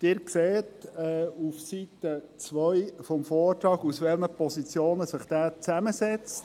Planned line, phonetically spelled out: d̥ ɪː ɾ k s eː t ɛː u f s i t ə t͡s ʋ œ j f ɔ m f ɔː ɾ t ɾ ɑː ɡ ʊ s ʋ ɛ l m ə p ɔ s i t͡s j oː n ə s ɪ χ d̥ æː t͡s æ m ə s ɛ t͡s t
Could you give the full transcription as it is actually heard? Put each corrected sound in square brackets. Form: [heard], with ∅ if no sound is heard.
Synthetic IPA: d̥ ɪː ɾ k s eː t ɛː u f s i t ə t͡s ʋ œ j f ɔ m f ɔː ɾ t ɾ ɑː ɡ [u] s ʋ ɛ l m ə p ɔ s i t͡s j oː n ə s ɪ χ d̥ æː t͡s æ m ə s ɛ t͡s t